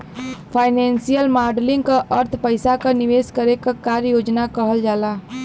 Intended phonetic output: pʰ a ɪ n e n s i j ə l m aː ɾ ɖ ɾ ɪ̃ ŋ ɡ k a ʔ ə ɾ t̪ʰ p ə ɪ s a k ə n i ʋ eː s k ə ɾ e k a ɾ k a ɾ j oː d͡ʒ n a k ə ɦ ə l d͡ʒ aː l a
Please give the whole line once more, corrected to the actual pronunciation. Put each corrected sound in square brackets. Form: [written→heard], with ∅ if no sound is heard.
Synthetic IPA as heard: pʰ a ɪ n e n s i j ə l m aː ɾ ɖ [ɾ→l] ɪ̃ ŋ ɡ k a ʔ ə ɾ t̪ʰ p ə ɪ s a k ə n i ʋ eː s k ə ɾ e k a [ɾ→∅] k a ɾ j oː d͡ʒ n a k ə ɦ ə l d͡ʒ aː l a